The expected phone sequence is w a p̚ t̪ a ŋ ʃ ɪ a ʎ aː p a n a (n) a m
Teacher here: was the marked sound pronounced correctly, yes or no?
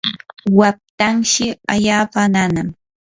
yes